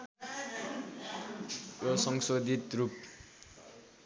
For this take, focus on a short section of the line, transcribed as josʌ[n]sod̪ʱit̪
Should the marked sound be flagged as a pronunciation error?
yes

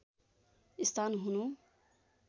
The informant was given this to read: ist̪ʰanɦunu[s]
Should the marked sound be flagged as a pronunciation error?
yes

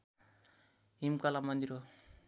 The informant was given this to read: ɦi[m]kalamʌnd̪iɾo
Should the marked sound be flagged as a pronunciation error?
no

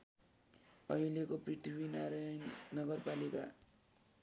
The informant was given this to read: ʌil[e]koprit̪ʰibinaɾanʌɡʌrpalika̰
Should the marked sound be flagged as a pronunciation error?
no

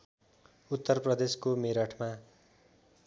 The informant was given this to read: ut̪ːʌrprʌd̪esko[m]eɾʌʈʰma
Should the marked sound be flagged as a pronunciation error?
no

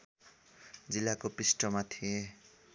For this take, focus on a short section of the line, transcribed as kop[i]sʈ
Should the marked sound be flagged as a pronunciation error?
no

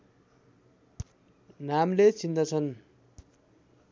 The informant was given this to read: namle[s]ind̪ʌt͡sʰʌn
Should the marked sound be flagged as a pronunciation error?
yes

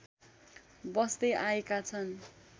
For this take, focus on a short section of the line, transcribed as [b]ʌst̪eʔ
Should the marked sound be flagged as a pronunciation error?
no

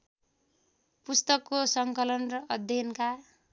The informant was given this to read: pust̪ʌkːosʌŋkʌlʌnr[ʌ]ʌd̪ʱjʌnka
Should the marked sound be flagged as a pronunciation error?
no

